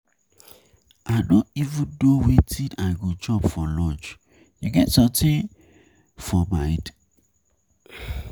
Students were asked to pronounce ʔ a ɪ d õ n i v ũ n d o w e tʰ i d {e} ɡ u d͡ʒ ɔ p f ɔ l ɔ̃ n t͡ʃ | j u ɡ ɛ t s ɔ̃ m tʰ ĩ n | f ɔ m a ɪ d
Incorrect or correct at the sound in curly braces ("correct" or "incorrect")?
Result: incorrect